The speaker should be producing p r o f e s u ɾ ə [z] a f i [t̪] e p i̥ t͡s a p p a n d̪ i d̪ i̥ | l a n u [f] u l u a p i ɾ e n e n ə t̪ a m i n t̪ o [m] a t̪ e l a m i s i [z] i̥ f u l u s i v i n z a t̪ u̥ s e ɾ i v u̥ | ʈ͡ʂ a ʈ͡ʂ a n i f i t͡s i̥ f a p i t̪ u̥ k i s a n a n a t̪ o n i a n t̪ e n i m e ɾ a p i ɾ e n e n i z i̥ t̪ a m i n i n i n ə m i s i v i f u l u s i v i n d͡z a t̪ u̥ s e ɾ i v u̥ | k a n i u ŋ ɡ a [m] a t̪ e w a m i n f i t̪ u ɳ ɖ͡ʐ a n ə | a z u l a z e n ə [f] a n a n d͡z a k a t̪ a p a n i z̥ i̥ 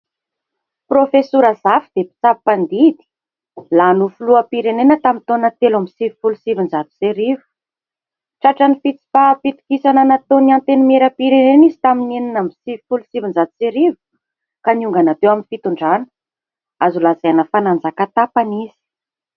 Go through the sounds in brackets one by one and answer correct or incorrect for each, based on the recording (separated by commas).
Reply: correct, incorrect, correct, incorrect, incorrect, incorrect, correct